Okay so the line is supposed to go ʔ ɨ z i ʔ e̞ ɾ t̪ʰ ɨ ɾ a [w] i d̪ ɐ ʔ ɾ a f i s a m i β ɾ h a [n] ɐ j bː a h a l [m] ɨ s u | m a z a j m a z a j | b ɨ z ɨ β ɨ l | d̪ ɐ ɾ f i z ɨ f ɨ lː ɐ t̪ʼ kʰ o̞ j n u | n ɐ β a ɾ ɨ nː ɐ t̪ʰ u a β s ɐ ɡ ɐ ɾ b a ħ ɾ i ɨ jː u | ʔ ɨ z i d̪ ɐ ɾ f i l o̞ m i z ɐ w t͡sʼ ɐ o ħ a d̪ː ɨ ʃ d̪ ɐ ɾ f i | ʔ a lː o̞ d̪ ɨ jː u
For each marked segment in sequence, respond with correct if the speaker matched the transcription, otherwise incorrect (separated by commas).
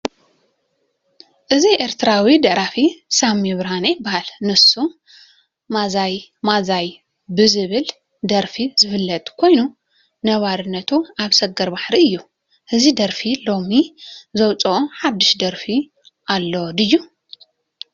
correct, correct, incorrect